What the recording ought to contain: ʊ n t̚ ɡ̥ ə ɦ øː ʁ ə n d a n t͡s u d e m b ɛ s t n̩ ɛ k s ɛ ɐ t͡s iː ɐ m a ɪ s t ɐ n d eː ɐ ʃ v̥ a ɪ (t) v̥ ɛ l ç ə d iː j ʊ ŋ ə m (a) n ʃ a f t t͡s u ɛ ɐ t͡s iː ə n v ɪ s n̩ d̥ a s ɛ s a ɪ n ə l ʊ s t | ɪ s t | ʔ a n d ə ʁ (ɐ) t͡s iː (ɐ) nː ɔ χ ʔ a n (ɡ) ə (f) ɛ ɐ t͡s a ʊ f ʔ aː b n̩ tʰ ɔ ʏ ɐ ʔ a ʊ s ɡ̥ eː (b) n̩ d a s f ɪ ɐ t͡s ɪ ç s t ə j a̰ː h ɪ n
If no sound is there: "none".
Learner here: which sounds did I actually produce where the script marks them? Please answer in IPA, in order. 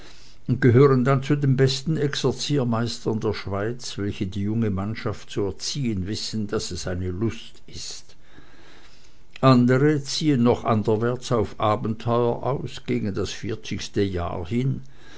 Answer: t͡s, a, ə, ə, d, v, ɡ

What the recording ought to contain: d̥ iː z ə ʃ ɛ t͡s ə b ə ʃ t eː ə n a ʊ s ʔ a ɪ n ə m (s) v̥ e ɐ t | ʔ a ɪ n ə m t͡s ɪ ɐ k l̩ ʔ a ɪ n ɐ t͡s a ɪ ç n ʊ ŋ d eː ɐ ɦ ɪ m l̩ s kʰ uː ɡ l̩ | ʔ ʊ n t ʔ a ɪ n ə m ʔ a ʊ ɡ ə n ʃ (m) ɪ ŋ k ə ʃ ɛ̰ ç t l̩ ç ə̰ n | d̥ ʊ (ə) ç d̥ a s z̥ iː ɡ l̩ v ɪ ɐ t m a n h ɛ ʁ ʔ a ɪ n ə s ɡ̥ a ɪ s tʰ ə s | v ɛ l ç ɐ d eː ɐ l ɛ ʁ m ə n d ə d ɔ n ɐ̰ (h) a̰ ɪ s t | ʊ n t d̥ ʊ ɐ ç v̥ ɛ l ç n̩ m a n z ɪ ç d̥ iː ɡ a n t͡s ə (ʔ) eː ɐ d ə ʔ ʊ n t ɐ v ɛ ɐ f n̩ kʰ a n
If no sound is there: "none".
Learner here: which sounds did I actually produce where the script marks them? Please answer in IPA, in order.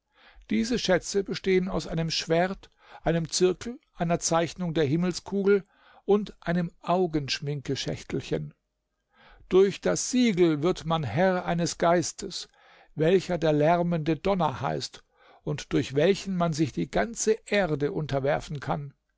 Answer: ʃ, m, ɐ, h, ʔ

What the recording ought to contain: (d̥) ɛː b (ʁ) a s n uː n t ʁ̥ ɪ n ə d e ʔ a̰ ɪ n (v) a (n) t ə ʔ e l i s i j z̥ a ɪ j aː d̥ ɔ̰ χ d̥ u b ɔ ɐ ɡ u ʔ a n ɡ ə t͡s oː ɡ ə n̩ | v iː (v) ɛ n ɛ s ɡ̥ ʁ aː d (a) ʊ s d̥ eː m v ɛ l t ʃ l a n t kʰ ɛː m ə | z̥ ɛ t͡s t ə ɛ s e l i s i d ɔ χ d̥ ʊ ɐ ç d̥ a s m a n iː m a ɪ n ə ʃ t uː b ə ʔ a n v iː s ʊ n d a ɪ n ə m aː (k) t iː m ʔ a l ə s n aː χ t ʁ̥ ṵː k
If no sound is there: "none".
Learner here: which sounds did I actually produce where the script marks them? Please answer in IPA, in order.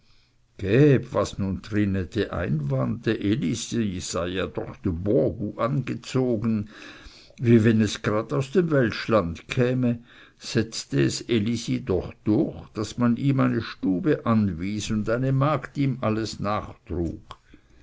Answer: ɡ̥, v, v, n, v, a, k

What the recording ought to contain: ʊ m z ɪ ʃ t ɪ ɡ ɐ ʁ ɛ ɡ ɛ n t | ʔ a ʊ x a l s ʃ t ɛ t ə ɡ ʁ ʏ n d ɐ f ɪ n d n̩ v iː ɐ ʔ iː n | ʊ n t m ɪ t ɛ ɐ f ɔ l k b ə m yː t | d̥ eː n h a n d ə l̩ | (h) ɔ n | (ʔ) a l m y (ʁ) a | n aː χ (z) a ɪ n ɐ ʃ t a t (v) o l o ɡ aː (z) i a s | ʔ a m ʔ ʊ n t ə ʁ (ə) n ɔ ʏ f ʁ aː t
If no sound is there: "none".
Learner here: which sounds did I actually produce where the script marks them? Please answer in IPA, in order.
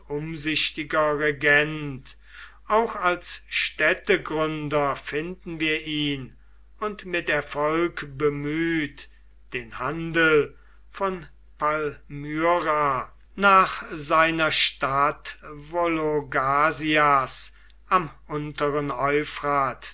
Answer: f, p, ʁ, z, v, z, ə

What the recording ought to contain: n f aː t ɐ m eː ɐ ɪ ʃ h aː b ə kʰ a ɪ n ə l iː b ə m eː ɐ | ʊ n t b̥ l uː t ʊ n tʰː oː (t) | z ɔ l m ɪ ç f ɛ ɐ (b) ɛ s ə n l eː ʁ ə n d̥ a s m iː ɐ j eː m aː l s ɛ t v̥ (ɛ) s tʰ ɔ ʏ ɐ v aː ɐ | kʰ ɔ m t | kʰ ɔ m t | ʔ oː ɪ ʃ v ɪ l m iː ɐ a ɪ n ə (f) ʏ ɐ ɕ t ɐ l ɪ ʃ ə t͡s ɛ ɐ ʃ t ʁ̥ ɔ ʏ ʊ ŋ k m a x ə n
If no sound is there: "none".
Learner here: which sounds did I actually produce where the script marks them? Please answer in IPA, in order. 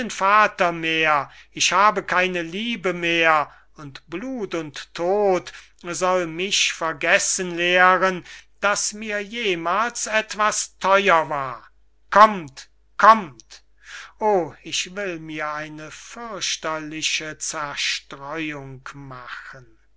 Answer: t, ɡ, a, f

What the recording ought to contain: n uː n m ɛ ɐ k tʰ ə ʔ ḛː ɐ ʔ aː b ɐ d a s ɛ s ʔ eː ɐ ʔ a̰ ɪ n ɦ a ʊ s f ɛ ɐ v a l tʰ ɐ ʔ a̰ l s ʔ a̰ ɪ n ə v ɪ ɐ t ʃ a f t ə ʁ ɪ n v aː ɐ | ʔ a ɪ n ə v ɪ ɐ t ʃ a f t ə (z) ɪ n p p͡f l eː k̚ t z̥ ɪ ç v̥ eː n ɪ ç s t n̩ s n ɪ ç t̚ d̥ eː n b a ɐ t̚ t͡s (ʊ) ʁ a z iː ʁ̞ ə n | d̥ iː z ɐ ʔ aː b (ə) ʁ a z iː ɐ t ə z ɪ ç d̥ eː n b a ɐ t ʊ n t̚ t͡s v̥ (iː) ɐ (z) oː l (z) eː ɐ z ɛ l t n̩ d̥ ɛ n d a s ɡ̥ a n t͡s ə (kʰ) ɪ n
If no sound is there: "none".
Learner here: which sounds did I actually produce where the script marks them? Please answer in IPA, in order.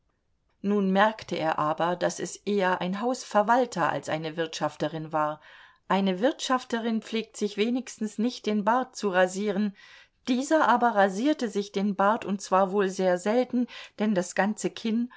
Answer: ʁ, u, ɐ, aː, v, z, kʰ

